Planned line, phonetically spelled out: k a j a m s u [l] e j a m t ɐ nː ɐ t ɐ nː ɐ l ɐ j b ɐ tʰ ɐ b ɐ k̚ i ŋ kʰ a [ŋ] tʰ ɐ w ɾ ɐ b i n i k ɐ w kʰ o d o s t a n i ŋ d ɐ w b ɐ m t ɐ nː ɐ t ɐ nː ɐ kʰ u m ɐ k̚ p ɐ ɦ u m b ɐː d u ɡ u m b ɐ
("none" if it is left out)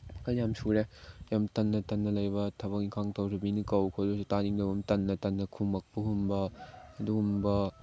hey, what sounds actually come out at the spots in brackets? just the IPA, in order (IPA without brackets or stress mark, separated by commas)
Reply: ɾ, ŋ